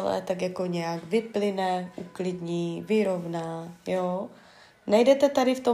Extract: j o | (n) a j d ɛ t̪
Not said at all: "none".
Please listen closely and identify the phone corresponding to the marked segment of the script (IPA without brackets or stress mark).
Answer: n